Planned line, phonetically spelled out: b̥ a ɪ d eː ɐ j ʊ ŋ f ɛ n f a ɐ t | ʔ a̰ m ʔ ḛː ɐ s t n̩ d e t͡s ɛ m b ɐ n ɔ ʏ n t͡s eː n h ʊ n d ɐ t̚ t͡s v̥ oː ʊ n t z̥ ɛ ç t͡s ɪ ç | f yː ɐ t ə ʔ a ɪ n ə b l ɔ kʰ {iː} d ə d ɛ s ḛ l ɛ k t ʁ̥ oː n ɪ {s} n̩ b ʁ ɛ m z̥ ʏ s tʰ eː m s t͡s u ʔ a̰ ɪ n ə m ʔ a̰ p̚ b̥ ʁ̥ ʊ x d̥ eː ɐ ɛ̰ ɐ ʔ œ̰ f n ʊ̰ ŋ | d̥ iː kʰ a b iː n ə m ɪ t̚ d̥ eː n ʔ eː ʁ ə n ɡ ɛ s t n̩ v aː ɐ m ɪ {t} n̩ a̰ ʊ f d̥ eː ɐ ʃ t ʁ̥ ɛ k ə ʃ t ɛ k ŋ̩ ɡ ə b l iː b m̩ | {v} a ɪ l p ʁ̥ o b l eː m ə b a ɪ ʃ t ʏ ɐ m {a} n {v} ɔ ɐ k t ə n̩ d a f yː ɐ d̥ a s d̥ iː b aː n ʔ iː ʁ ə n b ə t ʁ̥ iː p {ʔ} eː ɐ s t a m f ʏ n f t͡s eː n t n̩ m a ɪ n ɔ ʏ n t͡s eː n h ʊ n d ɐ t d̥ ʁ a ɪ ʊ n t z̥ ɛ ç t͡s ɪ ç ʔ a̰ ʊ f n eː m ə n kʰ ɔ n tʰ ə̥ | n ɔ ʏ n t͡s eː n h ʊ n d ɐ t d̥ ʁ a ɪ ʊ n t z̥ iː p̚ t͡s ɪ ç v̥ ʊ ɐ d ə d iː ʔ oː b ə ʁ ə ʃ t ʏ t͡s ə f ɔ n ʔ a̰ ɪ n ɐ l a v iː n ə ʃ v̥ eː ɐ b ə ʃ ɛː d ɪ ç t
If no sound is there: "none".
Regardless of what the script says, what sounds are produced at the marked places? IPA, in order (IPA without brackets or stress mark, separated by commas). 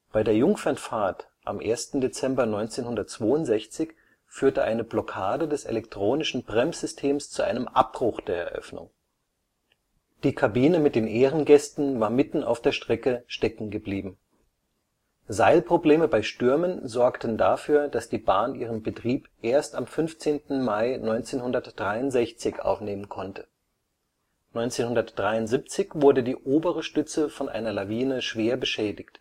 aː, ʃ, t, z, ə, z, ʔ